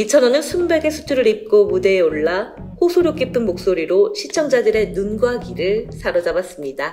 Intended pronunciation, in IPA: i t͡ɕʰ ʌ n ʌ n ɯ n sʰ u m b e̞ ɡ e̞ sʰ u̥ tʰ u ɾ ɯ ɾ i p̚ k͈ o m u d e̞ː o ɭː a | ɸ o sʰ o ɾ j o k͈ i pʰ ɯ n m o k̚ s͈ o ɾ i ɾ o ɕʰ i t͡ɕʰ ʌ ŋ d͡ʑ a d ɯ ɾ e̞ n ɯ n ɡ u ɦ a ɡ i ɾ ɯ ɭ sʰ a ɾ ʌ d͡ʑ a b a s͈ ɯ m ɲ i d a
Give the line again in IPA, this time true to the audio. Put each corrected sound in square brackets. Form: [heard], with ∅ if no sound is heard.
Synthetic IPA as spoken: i t͡ɕʰ ʌ n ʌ n ɯ n sʰ u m b e̞ ɡ e̞ sʰ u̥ tʰ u ɾ ɯ ɾ i p̚ k͈ o m u d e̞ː o ɭː a | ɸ o sʰ o ɾ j o k͈ i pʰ ɯ n m o k̚ s͈ o ɾ i ɾ o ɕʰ i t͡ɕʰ ʌ ŋ d͡ʑ a d ɯ ɾ e̞ n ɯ n ɡ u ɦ a ɡ i ɾ ɯ ɭ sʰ a ɾ ʌ d͡ʑ a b a s͈ ɯ m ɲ i d a